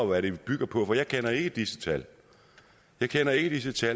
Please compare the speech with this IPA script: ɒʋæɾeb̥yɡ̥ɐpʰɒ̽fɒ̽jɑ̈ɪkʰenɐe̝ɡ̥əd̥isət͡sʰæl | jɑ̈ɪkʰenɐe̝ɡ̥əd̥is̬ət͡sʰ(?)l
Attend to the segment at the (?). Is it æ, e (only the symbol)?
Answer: æ